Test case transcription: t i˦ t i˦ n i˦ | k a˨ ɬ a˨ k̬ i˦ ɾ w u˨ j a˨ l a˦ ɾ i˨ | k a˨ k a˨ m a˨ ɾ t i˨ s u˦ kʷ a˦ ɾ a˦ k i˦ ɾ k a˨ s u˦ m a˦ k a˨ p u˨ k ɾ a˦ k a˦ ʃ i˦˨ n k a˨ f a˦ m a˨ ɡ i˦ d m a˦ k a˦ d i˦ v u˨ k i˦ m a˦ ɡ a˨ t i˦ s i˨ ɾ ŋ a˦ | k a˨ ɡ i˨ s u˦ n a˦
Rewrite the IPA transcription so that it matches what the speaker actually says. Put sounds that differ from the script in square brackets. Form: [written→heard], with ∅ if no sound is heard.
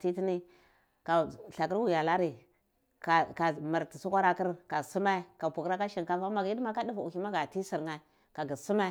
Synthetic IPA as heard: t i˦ t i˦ n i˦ | k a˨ ɬ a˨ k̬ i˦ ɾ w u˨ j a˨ l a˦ ɾ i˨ | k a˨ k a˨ m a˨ ɾ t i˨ s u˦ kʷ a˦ ɾ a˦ k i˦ ɾ k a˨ s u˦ m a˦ k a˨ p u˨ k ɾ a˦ k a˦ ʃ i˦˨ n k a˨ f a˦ m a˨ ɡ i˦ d m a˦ k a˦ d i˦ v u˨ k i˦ m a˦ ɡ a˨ t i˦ s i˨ ɾ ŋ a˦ | k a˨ ɡ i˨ s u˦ [n→m] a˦